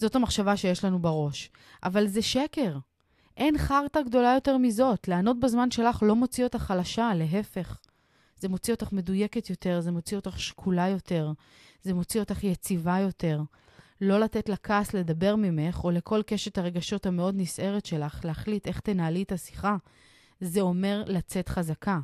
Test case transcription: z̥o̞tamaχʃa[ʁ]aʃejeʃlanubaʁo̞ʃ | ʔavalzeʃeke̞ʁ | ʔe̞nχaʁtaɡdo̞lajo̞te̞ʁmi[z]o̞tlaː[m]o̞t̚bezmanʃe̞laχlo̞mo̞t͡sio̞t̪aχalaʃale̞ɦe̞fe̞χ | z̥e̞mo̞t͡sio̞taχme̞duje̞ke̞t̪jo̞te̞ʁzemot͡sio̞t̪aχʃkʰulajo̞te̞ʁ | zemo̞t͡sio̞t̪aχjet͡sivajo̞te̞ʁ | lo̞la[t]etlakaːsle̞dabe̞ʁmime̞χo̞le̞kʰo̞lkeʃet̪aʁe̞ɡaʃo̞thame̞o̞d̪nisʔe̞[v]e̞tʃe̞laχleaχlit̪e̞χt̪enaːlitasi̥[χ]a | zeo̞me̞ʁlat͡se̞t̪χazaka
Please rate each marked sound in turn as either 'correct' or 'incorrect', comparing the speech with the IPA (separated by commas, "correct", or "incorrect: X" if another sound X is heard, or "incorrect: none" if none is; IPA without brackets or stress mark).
incorrect: v, correct, incorrect: n, correct, incorrect: ʁ, correct